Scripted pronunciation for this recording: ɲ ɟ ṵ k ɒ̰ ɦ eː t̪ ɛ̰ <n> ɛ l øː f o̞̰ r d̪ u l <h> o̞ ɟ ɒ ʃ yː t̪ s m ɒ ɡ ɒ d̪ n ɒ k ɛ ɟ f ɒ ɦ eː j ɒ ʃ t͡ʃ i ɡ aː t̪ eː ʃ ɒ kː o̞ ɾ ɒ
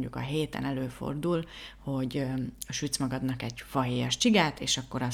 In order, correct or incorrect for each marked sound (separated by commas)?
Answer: correct, correct